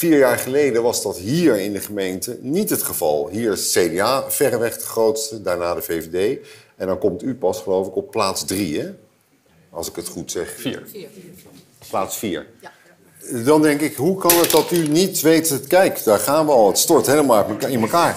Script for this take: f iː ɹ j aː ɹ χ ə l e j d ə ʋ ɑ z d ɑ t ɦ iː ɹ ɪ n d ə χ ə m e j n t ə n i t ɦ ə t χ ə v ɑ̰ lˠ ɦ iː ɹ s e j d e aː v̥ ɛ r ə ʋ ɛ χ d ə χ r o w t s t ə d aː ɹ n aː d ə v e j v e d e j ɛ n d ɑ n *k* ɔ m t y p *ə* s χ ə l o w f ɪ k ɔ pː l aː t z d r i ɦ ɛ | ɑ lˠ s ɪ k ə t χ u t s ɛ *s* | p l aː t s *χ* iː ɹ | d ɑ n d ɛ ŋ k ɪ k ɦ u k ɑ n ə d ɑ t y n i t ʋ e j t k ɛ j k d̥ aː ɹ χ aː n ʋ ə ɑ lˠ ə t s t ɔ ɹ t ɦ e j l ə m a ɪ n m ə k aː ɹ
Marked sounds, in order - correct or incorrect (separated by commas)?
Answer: correct, incorrect, incorrect, incorrect